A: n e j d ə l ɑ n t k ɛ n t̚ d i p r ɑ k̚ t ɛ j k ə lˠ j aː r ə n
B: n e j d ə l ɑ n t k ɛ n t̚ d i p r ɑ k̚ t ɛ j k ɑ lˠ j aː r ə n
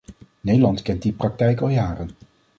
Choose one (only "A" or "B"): B